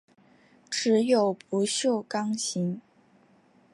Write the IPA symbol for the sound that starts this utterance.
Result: ʈ͡ʂ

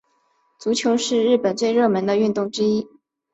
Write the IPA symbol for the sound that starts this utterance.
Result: t͡s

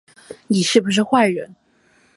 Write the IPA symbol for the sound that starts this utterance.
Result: n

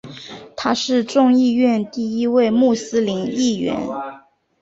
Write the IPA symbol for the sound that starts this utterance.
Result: t̪ʰ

